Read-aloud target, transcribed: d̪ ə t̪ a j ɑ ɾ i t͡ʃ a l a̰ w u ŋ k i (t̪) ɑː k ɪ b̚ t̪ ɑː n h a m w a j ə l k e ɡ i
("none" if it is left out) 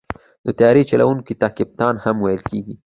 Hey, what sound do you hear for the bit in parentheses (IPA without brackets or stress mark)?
t̪